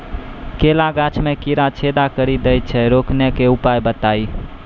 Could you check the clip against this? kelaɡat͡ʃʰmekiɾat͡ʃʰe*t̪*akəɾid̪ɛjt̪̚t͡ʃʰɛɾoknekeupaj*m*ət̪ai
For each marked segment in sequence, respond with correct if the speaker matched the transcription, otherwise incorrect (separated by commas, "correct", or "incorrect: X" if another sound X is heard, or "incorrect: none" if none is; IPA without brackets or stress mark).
incorrect: d̪, incorrect: b